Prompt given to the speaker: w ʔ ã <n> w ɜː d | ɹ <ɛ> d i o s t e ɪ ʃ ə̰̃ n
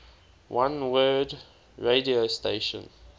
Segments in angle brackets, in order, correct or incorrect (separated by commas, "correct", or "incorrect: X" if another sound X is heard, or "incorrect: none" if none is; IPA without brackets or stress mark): correct, incorrect: e